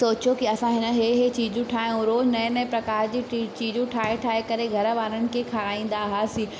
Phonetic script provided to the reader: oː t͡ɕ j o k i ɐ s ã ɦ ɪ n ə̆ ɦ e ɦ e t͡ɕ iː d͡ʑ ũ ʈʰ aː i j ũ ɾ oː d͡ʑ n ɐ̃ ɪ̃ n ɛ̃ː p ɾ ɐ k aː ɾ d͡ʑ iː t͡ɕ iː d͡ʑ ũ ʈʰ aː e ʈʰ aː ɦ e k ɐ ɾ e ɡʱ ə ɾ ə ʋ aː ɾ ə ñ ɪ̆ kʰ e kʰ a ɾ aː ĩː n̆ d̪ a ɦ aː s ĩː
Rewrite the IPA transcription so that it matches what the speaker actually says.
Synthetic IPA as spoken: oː t͡ɕ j o k i ɐ s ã ɦ ɪ n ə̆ ɦ e ɦ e t͡ɕ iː d͡ʑ ũ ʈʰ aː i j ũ ɾ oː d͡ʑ n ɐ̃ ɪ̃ n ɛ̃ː p ɾ ɐ k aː ɾ d͡ʑ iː t͡ɕ iː d͡ʑ ũ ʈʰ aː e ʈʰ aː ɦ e k ɐ ɾ e ɡʱ ɐ ɾ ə ʋ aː ɾ ə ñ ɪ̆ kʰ e kʰ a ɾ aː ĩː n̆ d̪ a ɦ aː s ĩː